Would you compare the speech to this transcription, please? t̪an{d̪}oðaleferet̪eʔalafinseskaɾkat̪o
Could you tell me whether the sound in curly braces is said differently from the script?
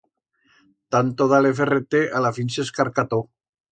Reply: yes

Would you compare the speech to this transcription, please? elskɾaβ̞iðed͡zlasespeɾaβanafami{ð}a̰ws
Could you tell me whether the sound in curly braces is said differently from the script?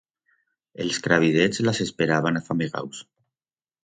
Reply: yes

